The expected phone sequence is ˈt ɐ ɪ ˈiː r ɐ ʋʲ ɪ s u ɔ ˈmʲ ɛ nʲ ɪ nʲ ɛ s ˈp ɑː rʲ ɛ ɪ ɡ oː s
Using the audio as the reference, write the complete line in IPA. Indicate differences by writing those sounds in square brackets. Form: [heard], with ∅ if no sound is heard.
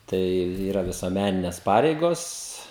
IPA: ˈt ɐ ɪ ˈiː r ɐ ʋʲ ɪ s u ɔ ˈmʲ [æ] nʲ ɪ nʲ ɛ s ˈp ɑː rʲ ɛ ɪ ɡ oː s